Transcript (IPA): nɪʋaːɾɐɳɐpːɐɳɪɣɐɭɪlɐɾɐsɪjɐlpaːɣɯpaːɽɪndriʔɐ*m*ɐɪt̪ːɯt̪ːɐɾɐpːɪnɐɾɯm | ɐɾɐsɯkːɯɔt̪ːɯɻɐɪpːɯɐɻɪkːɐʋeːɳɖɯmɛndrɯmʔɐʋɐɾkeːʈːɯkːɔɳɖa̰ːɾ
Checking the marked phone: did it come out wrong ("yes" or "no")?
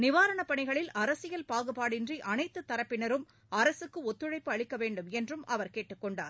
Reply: yes